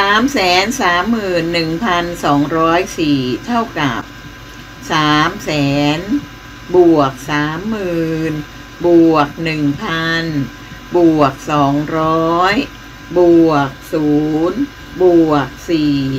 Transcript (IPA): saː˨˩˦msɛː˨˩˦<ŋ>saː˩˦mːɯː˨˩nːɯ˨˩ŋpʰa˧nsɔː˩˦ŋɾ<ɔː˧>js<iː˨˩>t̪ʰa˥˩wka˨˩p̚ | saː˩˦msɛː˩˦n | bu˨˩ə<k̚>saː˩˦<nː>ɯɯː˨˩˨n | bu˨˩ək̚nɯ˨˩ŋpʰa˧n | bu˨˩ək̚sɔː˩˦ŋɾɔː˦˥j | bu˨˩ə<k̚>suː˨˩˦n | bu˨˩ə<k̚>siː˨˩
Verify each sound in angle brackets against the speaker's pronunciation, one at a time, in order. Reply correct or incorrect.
incorrect: n, incorrect: ɔː˦˥, correct, correct, incorrect: mː, correct, correct

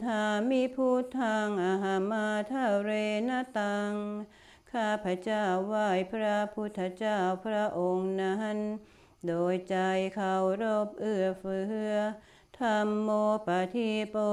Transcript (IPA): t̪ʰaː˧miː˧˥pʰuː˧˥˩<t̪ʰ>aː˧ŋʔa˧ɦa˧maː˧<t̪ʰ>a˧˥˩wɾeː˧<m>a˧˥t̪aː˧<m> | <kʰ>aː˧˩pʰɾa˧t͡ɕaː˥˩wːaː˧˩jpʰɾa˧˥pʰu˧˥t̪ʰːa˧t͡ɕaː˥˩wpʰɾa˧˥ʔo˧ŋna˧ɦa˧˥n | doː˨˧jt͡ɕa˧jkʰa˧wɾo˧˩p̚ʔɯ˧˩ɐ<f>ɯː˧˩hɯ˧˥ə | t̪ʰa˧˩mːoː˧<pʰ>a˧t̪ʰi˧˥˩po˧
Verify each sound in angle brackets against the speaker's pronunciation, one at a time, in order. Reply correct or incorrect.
correct, correct, incorrect: n, incorrect: ŋ, correct, correct, incorrect: p

